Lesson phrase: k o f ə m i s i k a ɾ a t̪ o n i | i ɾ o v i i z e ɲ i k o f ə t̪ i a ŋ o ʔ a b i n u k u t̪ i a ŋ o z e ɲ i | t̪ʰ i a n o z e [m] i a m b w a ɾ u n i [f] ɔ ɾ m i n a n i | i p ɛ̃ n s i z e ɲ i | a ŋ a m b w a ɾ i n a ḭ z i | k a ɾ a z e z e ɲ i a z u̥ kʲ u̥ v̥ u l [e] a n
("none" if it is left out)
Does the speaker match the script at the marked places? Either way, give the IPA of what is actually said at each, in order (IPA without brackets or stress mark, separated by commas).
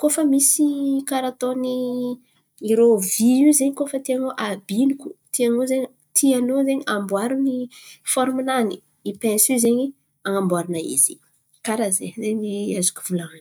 ɲ, f, a